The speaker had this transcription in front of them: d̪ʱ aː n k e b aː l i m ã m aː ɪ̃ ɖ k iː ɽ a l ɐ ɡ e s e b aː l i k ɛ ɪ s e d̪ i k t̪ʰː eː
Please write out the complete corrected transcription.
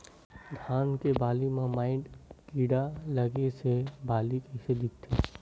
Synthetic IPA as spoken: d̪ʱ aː n k e b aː l i m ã m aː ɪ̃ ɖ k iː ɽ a l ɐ ɡ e s e b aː l i k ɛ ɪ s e d̪ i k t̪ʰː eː

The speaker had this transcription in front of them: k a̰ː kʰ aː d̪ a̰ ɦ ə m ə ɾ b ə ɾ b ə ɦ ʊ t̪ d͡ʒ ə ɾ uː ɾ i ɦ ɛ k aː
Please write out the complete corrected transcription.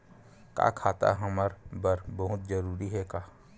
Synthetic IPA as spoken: k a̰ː kʰ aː t̪ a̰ ɦ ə m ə ɾ b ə ɾ b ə ɦ ʊ t̪ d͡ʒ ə ɾ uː ɾ i ɦ ɛ k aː

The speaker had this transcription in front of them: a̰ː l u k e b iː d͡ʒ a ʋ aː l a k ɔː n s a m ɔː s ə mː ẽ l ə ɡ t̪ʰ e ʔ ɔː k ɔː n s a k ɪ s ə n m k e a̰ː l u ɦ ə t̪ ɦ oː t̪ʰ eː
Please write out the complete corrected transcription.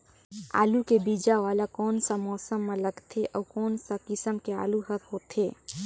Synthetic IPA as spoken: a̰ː l u k e b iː d͡ʒ a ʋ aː l a k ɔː n s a m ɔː s ə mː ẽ l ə ɡ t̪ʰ e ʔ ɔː k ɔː n s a k ɪ s ə m k e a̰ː l u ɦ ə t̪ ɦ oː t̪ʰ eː

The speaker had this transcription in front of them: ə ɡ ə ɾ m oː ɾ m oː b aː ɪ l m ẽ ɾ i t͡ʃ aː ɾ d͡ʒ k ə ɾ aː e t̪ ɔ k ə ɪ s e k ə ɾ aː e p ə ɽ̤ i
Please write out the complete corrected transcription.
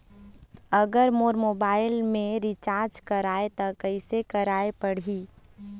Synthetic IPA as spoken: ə ɡ ə ɾ m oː ɾ m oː b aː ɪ l m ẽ ɾ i t͡ʃ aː ɾ d͡ʒ k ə ɾ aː e t̪ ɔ k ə ɪ s e k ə ɾ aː e p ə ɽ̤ i

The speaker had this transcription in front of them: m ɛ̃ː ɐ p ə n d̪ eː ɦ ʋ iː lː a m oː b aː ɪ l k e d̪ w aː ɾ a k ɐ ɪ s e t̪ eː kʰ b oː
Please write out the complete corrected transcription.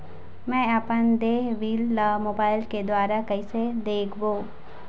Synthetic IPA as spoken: m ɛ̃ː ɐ p ə n d̪ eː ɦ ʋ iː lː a m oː b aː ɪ l k e d̪ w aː ɾ a k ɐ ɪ s e d̪ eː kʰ b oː

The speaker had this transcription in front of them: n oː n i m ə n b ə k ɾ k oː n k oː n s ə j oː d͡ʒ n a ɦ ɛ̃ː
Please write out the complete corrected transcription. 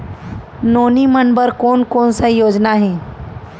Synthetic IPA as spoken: n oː n i m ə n b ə ɾ k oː n k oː n s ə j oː d͡ʒ n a ɦ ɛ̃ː

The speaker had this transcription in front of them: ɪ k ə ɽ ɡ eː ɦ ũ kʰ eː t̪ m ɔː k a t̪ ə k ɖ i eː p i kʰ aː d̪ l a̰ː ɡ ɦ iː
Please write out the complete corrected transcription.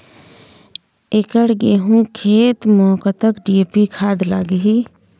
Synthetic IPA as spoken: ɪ k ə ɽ ɡ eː ɦ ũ kʰ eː t̪ m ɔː k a t̪ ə k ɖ i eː p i kʰ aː d̪ l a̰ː ɡ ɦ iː

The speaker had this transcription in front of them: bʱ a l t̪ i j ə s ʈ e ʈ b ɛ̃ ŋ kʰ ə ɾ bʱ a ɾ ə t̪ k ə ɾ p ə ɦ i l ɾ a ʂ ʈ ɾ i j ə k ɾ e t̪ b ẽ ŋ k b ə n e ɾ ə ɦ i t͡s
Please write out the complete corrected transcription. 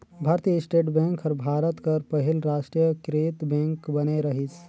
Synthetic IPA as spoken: bʱ a ɾ t̪ i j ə s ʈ e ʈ b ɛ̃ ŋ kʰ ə ɾ bʱ a ɾ ə t̪ k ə ɾ p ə ɦ i l ɾ a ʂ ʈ ɾ i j ə k ɾ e t̪ b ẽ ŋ k b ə n e ɾ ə ɦ i t͡s

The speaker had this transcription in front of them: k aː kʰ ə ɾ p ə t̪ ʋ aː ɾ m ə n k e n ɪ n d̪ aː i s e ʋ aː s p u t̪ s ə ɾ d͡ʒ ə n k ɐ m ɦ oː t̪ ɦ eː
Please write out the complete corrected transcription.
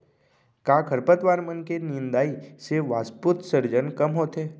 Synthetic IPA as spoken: k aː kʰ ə ɾ p ə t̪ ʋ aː ɾ m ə n k e n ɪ n d̪ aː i s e ʋ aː s p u t̪ s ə ɾ d͡ʒ ə n k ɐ m ɦ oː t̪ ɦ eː

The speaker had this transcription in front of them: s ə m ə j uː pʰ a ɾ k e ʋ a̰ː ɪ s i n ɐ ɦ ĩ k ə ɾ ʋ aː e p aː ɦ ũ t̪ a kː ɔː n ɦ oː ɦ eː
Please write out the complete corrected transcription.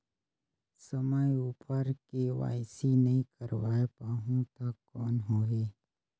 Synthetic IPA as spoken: s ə m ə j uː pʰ ə ɾ k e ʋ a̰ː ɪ s i n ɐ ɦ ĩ k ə ɾ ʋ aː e p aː ɦ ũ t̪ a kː ɔː n ɦ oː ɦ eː

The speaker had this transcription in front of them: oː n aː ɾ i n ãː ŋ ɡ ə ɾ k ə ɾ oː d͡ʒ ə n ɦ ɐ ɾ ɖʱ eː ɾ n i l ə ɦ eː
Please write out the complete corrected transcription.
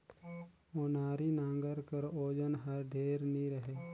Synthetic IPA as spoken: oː n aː ɾ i n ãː ŋ ɡ ə ɾ k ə ɾ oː d͡ʒ ə n ɦ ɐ ɾ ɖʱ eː ɾ n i ɾ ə ɦ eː

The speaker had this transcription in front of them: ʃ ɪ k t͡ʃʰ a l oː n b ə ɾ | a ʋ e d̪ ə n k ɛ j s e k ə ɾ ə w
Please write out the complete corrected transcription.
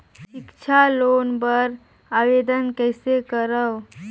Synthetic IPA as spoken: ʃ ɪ k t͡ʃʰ a l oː n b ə ɾ | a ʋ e d̪ ə n k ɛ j s e k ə ɾ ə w

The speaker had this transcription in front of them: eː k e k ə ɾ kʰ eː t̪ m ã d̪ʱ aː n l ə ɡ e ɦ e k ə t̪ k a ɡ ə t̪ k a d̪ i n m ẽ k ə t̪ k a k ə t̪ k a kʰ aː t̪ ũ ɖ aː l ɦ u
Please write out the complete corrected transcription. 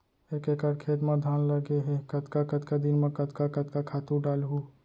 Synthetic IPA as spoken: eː k e k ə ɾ kʰ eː t̪ m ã d̪ʱ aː n l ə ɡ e ɦ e k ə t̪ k a k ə t̪ k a d̪ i n m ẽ k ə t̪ k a k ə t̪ k a kʰ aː t̪ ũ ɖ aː l ɦ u

